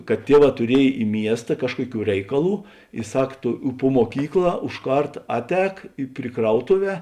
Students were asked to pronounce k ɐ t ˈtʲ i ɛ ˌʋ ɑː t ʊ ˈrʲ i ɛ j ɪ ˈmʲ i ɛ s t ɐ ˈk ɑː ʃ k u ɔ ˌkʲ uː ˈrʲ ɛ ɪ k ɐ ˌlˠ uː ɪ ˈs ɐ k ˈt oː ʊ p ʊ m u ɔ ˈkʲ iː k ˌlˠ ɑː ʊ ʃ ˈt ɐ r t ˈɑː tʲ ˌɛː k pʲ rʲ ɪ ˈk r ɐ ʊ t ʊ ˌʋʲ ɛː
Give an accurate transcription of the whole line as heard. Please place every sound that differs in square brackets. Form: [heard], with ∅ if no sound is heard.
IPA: k ɐ t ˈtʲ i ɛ ˌʋ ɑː t ʊ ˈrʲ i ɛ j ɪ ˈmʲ i ɛ s t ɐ ˈk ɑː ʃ k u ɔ ˌkʲ uː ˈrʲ ɛ ɪ k ɐ ˌlˠ uː ɪ ˈs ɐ k ˈt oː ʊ p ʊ m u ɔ ˈkʲ iː k ˌlˠ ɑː ʊ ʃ [ˈk] ɐ r t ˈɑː tʲ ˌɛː k pʲ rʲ ɪ ˈk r ɐ ʊ t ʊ ˌʋʲ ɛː